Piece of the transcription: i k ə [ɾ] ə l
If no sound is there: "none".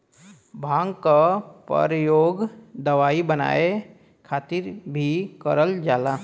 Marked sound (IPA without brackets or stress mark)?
ɾ